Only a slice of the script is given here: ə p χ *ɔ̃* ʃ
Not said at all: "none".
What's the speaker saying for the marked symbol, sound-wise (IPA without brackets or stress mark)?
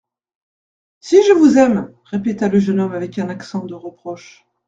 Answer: ɔ